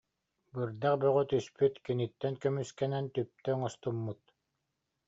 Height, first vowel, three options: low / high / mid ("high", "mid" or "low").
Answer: high